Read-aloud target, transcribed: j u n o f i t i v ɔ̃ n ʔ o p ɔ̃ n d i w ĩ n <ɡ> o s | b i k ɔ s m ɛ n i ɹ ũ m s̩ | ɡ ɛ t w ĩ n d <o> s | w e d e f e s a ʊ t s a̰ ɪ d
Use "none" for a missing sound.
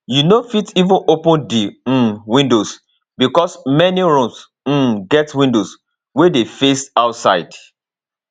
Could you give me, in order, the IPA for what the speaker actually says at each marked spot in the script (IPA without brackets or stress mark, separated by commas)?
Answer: d, o